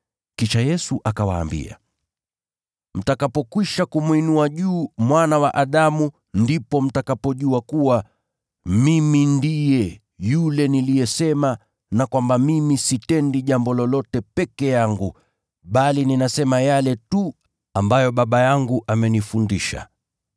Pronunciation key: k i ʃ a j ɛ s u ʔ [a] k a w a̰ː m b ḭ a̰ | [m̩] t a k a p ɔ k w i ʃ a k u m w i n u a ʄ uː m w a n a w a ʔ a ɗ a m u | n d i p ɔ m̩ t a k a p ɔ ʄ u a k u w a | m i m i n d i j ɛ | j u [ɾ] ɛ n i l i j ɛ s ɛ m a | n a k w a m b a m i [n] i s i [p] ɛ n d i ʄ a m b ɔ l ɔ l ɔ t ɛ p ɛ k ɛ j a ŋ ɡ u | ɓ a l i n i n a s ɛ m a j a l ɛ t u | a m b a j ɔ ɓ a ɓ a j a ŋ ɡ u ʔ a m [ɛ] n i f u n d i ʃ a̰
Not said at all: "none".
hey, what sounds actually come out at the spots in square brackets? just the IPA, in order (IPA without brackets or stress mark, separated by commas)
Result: a, m̩, l, m, t, ɛ